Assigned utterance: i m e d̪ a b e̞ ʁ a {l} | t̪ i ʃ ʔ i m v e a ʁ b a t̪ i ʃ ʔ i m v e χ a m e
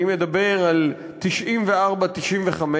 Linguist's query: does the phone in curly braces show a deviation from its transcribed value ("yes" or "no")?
no